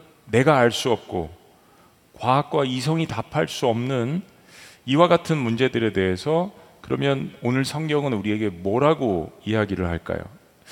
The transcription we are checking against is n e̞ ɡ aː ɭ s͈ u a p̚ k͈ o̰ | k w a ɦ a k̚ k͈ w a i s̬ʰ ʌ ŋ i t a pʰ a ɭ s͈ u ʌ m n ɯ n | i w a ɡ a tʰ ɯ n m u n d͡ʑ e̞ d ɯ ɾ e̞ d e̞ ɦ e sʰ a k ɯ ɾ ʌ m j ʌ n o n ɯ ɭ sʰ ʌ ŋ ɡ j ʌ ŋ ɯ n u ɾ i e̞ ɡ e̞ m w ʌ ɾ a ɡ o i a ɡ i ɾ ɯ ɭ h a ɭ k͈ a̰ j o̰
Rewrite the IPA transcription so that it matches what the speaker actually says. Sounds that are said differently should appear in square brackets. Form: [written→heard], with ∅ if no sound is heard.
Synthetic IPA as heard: n e̞ ɡ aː ɭ s͈ u [a→ʌ] p̚ k͈ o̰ | k w a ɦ a k̚ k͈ w a i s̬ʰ ʌ ŋ i t a pʰ a ɭ s͈ u ʌ m n ɯ n | i w a ɡ a tʰ ɯ n m u n d͡ʑ e̞ d ɯ ɾ e̞ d e̞ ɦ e sʰ [a→ʌ] k ɯ ɾ ʌ m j ʌ n o n ɯ ɭ sʰ ʌ ŋ ɡ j ʌ ŋ ɯ n u ɾ i e̞ ɡ e̞ m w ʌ ɾ a ɡ o i a ɡ i ɾ ɯ ɭ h a ɭ k͈ a̰ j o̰